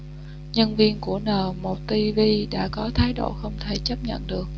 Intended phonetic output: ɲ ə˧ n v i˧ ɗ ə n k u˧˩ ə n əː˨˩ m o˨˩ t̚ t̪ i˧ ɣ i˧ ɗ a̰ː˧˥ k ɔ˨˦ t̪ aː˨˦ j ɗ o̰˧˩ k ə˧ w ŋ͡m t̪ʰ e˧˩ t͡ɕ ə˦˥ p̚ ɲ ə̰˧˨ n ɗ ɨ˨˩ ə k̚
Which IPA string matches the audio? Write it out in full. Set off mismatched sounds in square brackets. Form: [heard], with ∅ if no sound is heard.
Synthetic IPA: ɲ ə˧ n v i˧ [∅] ə n k u˧˩ ə n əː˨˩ m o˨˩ t̚ t̪ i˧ [v] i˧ ɗ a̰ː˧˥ k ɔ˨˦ [t̪ʰ] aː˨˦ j ɗ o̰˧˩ [x] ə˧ w ŋ͡m t̪ʰ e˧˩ t͡ɕ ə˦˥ p̚ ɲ ə̰˧˨ n ɗ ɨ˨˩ ə k̚